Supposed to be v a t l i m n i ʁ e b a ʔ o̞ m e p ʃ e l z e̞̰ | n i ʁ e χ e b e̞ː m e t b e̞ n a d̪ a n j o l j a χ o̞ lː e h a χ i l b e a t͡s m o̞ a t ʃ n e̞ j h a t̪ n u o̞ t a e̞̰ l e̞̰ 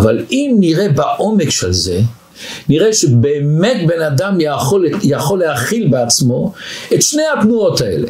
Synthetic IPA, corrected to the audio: v a l i m n i ʁ e b a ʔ o̞ m e k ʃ e l z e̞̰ | n i ʁ e ʃ e b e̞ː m e t b e̞ n a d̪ a m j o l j a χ o̞ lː e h a χ i l b e a t͡s m o̞ e t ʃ n e̞ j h a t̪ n u o̞ t a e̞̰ l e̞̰